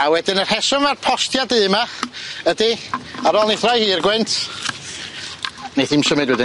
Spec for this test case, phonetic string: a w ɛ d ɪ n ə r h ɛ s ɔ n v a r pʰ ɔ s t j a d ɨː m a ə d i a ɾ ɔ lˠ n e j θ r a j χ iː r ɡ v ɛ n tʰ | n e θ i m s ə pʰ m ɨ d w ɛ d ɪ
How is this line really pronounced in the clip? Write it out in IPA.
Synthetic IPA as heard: a w ɛ d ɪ n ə r h ɛ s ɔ n v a r pʰ ɔ s t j a d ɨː m a ə d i a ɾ ɔ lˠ n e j θ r a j h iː r ɡ w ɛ n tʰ | n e θ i m s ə m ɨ d w ɛ d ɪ